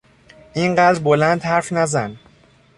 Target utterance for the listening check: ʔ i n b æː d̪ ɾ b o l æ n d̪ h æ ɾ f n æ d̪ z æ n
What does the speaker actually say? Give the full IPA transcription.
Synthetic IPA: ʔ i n ɢ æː d̪ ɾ b o l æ n d̪ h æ ɾ f n æ z æ n